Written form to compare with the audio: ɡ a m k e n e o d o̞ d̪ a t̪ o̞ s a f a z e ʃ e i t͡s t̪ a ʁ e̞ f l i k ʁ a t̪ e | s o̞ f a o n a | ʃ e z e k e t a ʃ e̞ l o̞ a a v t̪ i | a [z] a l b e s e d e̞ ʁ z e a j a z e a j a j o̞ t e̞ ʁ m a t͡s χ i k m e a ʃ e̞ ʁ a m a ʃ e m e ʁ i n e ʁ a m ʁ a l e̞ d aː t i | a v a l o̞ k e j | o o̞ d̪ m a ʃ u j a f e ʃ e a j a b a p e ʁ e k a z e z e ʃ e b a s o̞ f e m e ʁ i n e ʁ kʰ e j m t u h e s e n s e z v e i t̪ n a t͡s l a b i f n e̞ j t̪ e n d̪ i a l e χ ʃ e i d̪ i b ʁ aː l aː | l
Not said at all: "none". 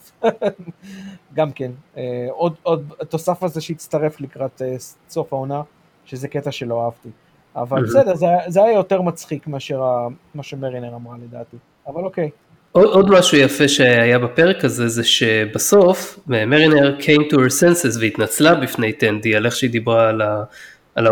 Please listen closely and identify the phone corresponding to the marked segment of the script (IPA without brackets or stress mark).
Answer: v